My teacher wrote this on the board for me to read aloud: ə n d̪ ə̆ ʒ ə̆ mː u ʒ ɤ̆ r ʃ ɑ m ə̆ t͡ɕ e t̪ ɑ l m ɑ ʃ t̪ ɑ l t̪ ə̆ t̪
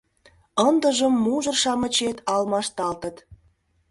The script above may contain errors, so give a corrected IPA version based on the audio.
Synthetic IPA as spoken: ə n d̪ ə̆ ʒ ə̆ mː u ʒ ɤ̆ r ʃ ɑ m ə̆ t͡ɕ e t̪ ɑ l m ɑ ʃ t̪ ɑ l t̪ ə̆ t̪